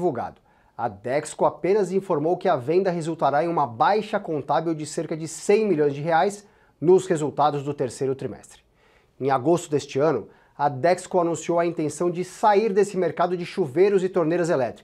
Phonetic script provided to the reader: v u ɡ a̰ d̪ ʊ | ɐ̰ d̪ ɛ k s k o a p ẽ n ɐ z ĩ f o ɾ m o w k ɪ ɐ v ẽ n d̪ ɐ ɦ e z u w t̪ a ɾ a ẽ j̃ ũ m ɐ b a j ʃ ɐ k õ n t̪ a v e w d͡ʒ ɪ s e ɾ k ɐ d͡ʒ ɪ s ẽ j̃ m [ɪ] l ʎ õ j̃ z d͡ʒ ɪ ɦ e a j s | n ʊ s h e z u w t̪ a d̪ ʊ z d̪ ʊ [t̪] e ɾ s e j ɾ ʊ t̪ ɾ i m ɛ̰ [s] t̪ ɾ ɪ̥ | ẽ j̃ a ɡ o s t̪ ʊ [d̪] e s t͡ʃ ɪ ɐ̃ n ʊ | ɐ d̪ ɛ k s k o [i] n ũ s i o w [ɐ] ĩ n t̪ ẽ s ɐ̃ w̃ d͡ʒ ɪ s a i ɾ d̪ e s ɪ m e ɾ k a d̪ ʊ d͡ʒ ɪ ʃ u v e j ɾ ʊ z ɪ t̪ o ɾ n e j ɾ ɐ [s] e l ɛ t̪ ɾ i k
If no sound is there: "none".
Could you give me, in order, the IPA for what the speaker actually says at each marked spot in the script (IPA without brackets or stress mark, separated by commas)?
i, t̪, s, d̪, a, ɐ, z